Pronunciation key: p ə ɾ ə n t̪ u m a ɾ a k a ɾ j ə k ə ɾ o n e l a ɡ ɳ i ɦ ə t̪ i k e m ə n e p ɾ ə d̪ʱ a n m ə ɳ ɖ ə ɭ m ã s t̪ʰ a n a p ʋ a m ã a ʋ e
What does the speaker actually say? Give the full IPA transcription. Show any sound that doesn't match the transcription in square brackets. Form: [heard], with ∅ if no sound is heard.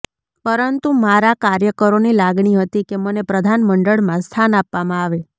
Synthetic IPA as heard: p ə ɾ ə n t̪ u m a ɾ a k a ɾ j ə k ə ɾ o n [i] l a ɡ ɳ i ɦ ə t̪ i k e m ə n e p ɾ ə d̪ʱ a n m ə ɳ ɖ ə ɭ m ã s t̪ʰ a n a p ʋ a m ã a ʋ e